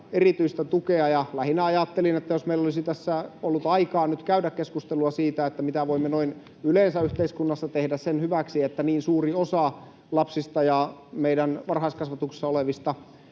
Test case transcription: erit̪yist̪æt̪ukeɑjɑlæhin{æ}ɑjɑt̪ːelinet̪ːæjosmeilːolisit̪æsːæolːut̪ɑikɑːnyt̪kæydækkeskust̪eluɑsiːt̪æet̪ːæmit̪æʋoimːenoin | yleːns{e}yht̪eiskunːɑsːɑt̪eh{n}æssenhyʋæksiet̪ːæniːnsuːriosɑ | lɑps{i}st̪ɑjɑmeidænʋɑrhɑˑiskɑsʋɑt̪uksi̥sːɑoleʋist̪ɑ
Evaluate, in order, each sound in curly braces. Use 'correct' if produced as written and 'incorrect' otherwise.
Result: correct, incorrect, incorrect, correct

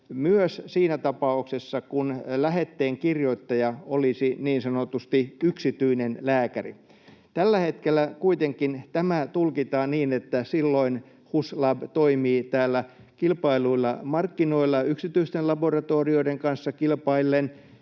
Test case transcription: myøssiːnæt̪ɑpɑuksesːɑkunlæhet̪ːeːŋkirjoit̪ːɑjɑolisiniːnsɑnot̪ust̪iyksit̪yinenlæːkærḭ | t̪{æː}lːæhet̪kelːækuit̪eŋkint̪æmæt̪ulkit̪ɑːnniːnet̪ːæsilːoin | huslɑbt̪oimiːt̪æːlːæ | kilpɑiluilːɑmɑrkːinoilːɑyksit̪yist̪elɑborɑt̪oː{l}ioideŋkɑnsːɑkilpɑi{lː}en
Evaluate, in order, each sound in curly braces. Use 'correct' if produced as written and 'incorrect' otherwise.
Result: incorrect, incorrect, correct

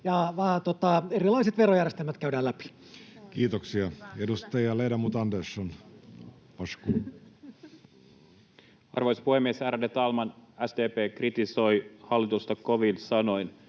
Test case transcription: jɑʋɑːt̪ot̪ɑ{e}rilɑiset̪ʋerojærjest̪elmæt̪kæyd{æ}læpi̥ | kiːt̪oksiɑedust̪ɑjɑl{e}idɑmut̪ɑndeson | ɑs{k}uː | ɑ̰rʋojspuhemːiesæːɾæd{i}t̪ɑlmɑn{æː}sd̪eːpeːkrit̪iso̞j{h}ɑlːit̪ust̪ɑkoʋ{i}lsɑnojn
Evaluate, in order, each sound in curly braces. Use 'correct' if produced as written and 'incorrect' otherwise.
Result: correct, incorrect, correct, correct, incorrect, incorrect, correct, correct

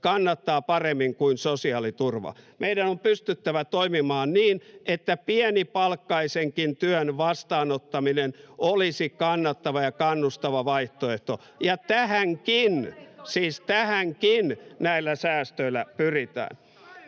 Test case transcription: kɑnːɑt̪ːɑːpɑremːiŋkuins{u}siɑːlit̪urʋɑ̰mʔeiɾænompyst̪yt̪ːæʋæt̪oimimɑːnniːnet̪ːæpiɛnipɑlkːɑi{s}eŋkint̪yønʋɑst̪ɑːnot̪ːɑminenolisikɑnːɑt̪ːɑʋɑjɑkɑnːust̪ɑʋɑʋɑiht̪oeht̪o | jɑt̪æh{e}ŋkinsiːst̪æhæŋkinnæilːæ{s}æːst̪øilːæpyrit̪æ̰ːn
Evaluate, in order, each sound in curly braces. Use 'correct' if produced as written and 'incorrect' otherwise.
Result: incorrect, correct, incorrect, correct

